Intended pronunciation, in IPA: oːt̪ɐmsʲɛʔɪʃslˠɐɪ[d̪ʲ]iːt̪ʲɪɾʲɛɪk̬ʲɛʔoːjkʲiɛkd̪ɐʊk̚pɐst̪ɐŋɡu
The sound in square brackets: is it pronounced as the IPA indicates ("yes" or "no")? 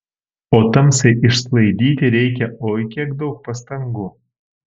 yes